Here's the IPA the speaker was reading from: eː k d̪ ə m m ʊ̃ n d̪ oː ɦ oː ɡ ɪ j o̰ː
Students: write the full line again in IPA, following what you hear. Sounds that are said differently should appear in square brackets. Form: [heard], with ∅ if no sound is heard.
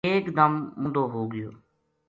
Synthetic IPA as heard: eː k d̪ ə m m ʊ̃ n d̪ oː ɦ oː ɡ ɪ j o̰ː